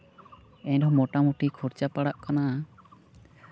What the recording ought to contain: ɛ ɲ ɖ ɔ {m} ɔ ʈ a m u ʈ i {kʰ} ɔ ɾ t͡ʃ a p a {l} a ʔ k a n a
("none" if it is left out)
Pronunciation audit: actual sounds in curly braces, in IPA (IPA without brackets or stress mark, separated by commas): m, kʰ, ɽ